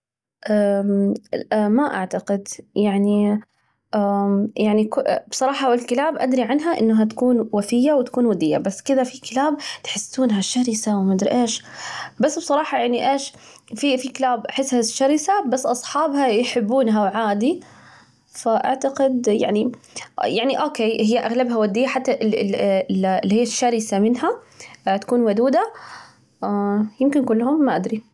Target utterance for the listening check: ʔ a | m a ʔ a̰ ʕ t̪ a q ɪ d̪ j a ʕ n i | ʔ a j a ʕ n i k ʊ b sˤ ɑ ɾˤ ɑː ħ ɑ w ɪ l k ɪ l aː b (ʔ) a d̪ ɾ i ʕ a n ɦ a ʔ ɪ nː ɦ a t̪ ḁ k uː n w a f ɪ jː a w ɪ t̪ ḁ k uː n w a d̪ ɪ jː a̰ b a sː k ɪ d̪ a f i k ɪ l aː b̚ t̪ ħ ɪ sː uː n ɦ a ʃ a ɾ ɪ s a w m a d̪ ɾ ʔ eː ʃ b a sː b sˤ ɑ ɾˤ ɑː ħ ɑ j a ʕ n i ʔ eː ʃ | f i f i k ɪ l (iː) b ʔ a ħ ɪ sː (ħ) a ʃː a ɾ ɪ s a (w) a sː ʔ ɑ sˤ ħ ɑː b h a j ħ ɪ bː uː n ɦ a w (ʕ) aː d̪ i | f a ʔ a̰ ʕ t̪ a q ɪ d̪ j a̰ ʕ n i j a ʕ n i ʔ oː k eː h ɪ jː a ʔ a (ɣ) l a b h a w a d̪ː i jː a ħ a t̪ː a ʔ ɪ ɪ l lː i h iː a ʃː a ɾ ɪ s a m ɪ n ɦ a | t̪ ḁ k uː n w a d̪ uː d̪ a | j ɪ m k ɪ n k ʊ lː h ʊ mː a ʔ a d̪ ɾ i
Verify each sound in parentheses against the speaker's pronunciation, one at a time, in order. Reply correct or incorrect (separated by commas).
correct, incorrect, incorrect, incorrect, correct, correct